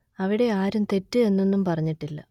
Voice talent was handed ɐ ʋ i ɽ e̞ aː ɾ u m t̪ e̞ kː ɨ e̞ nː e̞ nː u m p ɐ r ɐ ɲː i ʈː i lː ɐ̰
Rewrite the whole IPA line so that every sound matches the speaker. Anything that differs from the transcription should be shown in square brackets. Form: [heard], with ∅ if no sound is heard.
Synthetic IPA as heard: ɐ ʋ i ɽ e̞ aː ɾ u m t̪ e̞ [tː] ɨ e̞ nː e̞ nː u m p ɐ r ɐ ɲː i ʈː i lː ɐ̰